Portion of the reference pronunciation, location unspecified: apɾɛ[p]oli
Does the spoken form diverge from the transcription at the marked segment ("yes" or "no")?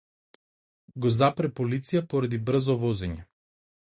no